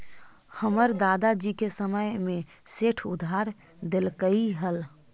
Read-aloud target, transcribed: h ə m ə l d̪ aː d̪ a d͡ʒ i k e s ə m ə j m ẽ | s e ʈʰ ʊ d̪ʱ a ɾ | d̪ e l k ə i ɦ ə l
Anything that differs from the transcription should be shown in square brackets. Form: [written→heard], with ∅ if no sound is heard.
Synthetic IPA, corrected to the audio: h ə m ə [l→ɾ] d̪ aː d̪ a d͡ʒ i k e s ə m ə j m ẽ | s e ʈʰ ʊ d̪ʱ a ɾ | d̪ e l k ə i ɦ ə l